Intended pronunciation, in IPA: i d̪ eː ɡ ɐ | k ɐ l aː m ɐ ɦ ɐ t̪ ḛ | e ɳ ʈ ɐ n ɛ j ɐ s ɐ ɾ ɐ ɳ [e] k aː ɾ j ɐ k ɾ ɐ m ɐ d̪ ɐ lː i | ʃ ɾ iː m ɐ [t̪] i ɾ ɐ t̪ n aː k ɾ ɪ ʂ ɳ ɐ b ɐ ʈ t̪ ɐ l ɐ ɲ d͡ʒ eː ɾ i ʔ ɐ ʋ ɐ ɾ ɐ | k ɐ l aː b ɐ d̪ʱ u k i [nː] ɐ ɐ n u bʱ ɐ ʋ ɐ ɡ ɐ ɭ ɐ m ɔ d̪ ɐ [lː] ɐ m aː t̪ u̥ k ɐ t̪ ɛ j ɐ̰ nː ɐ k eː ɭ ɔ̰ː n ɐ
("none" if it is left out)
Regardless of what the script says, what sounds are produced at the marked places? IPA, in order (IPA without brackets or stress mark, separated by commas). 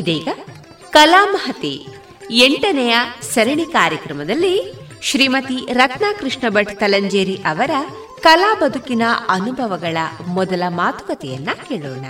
i, t̪, n, l